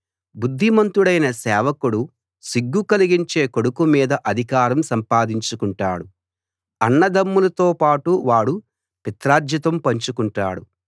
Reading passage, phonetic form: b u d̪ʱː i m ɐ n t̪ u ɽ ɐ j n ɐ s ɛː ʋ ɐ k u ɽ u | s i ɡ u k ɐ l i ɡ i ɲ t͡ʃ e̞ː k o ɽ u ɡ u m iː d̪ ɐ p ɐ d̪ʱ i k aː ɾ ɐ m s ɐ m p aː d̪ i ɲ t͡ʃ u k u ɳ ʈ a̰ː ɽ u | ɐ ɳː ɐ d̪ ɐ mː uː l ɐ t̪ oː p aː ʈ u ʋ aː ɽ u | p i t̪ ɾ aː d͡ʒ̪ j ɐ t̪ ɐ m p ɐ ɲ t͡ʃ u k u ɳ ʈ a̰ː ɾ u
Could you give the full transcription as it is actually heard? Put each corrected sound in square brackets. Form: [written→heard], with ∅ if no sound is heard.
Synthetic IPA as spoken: b u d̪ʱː i m ɐ n t̪ u ɽ ɐ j n ɐ s ɛː ʋ ɐ k u ɽ u | s i [ɡ→ɡː] u k ɐ l i ɡ i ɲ t͡ʃ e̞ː k o ɽ u [ɡ→k] u m iː d̪ ɐ [p→ʔ] ɐ d̪ʱ i k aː ɾ ɐ m s ɐ m p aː d̪ i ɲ t͡ʃ u k u ɳ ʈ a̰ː ɽ u | ɐ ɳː ɐ d̪ ɐ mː [uː→u] l ɐ t̪ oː p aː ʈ u ʋ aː ɽ u | p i t̪ ɾ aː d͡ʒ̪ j ɐ t̪ ɐ m p ɐ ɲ t͡ʃ u k u ɳ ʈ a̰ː [ɾ→ɽ] u